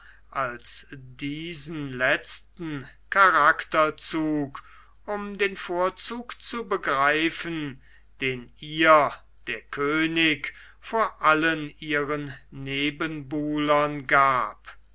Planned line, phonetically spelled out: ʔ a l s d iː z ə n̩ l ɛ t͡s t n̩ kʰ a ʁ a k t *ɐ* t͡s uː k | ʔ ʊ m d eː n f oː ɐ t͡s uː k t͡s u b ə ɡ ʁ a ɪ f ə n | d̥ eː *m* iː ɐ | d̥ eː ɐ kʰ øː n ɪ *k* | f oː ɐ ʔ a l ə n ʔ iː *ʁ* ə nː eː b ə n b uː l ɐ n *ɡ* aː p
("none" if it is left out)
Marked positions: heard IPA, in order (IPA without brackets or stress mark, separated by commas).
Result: ɐ, n, k, ʁ, ɡ